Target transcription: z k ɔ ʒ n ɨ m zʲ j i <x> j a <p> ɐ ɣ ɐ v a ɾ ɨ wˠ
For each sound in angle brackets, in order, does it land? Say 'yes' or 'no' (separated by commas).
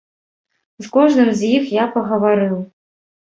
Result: yes, yes